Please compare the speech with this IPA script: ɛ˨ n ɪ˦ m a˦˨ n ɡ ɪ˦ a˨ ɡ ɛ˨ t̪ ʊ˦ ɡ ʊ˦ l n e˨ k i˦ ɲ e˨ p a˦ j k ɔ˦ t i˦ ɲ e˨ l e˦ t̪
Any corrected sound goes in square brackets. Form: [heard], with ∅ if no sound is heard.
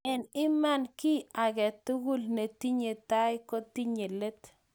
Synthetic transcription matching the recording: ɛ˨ n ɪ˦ m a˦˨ n [k] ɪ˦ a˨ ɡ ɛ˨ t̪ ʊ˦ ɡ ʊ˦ l n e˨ [t] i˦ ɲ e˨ [t] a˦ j k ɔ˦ t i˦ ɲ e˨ l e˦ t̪